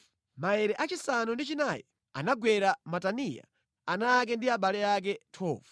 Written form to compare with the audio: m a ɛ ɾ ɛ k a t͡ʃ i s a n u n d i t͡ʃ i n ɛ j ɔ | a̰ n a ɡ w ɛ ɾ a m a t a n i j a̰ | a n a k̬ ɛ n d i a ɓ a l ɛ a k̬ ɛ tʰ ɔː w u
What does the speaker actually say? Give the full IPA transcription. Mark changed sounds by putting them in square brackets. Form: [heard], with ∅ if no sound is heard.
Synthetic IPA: m a ɛ ɾ ɛ [ʔ] a t͡ʃ i s a n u n d i t͡ʃ i n [a] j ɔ | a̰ n a ɡ w ɛ ɾ a m a t a n i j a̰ | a n a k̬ ɛ n d i a ɓ a l ɛ a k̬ ɛ tʰ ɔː [v] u